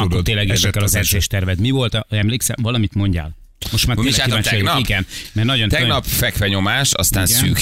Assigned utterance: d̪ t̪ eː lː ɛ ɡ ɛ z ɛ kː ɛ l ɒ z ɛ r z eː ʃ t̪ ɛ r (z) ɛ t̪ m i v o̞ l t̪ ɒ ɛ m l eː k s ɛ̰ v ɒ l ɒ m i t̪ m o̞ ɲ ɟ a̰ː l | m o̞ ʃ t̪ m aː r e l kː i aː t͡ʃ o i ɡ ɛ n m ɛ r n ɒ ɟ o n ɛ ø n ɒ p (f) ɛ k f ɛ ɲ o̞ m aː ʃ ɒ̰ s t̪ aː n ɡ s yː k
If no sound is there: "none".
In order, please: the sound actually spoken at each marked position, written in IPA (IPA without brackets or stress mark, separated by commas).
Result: v, f